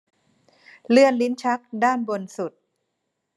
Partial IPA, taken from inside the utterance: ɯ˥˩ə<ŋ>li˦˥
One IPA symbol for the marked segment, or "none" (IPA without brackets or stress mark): n